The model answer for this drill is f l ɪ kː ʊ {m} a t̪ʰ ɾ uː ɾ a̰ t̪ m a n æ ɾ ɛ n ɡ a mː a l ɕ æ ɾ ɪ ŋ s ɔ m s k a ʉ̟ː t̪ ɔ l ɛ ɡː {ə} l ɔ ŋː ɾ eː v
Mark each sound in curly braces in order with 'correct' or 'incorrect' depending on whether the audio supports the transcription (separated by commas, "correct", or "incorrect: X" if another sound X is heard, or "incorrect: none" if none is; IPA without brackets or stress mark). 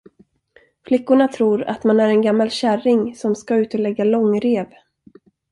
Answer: incorrect: ɳ, incorrect: a